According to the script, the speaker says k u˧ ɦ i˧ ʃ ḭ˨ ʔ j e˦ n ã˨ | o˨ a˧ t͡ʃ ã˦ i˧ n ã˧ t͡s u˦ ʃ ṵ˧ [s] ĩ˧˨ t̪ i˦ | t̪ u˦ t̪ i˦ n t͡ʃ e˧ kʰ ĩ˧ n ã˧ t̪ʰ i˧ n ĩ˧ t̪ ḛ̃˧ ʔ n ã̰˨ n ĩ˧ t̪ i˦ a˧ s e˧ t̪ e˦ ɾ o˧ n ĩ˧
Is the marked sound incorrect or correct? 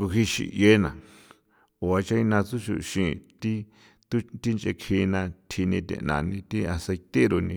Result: incorrect